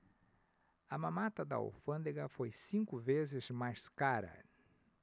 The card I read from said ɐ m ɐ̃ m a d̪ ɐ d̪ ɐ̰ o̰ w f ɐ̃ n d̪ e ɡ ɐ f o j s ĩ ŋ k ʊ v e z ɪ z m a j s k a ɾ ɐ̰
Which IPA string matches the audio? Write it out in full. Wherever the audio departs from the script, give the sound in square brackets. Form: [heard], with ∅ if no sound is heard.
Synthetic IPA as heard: ɐ m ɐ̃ m a [t̪] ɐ d̪ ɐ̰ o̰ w f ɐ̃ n d̪ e ɡ ɐ f o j s ĩ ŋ k ʊ v e z ɪ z m a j s k a ɾ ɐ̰